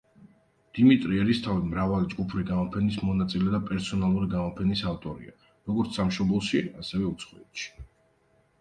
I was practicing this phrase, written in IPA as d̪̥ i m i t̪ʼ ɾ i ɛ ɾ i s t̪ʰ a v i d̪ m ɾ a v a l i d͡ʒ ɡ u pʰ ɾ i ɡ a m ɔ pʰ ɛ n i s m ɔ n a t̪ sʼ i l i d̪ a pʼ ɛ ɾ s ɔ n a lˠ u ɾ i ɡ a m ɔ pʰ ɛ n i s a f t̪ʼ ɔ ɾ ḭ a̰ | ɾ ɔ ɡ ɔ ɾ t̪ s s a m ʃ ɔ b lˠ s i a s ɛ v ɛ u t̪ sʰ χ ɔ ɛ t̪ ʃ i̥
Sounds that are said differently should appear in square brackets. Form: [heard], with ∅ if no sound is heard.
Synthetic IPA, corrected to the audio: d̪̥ i m i t̪ʼ ɾ i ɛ ɾ i s t̪ʰ a v i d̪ m ɾ a v a l i d͡ʒ ɡ u pʰ ɾ i ɡ a m ɔ pʰ ɛ n i s m ɔ n a t̪ sʼ i l [ɛ] d̪ a pʼ ɛ ɾ s ɔ n a lˠ u ɾ i ɡ a m ɔ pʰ ɛ n i s a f t̪ʼ ɔ ɾ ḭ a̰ | ɾ ɔ ɡ ɔ ɾ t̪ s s a m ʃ ɔ b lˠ [ʃ] i a s ɛ v ɛ u t̪ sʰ χ ɔ ɛ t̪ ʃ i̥